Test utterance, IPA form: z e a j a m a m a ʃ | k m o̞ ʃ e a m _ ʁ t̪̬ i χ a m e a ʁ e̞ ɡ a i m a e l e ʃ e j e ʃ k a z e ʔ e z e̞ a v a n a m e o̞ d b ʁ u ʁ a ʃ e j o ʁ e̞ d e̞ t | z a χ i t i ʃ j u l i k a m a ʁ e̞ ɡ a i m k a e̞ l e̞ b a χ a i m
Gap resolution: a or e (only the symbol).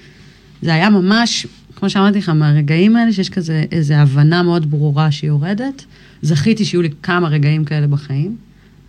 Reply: a